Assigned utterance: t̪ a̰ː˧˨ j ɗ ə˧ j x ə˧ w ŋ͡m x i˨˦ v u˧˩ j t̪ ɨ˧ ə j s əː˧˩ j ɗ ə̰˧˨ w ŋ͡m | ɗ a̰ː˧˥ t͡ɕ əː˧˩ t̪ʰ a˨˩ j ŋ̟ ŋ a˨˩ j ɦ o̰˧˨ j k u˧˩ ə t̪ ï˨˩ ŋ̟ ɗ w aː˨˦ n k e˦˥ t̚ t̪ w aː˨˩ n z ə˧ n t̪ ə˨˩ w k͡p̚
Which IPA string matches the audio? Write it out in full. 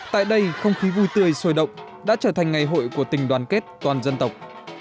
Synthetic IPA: t̪ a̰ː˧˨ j ɗ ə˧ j x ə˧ w ŋ͡m x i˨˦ v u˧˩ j t̪ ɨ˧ ə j s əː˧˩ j ɗ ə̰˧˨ w ŋ͡m | ɗ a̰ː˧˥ t͡ɕ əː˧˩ t̪ʰ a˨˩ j ŋ̟ ŋ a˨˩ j ɦ o̰˧˨ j k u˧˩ ə t̪ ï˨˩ ŋ̟ ɗ w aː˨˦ n k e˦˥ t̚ t̪ w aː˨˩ n z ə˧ n t̪ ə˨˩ w k͡p̚